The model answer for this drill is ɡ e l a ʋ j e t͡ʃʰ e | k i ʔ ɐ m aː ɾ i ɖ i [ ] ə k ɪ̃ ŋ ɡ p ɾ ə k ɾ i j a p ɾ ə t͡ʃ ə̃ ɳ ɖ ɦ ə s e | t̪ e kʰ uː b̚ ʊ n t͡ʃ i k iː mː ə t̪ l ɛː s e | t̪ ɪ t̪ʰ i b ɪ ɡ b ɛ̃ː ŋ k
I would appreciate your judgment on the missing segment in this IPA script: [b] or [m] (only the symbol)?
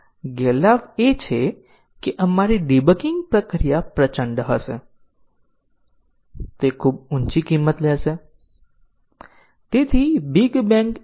b